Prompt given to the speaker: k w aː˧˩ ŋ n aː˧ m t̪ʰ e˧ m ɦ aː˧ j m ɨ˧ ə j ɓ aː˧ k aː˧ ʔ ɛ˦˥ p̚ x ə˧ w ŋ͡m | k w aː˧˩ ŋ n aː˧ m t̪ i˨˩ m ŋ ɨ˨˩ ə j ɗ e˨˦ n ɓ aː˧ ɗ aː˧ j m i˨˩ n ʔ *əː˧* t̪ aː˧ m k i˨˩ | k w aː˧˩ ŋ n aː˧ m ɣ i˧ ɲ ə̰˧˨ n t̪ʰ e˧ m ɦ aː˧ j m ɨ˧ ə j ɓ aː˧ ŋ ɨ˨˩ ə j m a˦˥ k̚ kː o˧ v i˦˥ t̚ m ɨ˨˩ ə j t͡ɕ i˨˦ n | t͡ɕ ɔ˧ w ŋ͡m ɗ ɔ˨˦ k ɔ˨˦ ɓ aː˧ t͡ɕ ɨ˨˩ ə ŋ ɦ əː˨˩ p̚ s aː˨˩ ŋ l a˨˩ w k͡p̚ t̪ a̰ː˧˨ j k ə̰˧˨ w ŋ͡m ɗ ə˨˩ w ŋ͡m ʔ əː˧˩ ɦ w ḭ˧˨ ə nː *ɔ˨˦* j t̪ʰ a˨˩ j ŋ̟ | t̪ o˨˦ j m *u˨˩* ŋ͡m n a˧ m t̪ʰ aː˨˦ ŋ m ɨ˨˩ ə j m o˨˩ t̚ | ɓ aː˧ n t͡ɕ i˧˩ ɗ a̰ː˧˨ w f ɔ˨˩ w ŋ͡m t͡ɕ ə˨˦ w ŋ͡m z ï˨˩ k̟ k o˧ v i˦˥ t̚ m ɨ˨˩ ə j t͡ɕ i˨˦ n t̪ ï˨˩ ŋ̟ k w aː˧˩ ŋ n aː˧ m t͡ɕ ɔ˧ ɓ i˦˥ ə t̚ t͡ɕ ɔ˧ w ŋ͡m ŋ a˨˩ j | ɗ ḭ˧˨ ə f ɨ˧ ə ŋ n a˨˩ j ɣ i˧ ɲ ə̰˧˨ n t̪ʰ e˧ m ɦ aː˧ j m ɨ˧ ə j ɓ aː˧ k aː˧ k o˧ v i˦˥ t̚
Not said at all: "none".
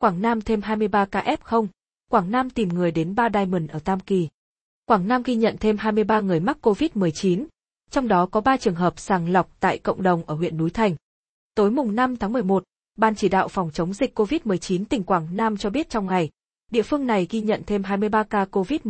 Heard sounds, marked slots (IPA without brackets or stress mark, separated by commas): əː˧˩, u˨˦, ʊ˨˩